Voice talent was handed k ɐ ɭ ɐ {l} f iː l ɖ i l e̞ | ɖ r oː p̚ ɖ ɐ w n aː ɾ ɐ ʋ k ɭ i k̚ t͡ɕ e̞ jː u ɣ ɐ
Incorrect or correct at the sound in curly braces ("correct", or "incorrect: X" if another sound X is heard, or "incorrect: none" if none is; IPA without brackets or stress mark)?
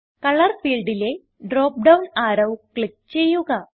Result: incorrect: r